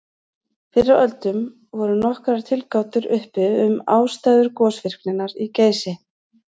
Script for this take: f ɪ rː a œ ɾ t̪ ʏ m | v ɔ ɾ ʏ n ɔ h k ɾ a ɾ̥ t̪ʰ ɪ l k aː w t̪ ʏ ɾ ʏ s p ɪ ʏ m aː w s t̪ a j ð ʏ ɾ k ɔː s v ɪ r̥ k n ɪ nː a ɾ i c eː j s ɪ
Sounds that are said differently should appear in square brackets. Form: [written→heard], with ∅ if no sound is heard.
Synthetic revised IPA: f ɪ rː a œ [ɾ→l] t̪ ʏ m | v ɔ ɾ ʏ n ɔ h k ɾ a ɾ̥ t̪ʰ ɪ l k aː w t̪ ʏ ɾ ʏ [s→h] p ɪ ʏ m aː w s t̪ a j ð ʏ ɾ k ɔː s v ɪ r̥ k n ɪ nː a ɾ i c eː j s ɪ